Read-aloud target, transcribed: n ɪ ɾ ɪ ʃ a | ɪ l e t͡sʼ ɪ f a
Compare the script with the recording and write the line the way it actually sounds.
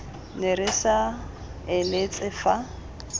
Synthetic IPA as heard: n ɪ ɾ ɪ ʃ a | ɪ l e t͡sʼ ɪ f a